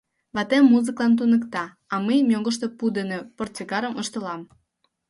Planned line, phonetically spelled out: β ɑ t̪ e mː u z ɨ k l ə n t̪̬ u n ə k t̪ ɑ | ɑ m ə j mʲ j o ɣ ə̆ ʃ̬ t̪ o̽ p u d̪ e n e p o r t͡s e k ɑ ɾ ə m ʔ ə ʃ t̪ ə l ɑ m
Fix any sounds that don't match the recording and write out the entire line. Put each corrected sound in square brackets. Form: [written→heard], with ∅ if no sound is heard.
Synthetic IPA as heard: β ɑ t̪ e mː u z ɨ k l [ə→ɑ] n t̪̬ u n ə k t̪ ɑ | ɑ m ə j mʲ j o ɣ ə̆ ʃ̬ t̪ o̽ p u d̪ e n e p o r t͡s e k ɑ ɾ ə m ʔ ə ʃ t̪ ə l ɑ m